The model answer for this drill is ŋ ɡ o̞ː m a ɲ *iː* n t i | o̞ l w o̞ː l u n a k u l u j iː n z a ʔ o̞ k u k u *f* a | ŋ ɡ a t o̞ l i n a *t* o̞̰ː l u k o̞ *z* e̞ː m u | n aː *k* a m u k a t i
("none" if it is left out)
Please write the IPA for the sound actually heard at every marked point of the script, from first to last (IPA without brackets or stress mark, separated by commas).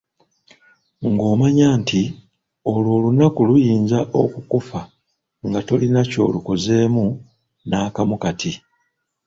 aː, f, c, z, k